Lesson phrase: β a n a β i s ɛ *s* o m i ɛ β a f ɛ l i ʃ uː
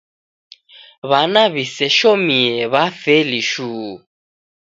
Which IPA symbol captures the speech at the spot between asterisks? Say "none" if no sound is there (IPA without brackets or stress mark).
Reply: ʃ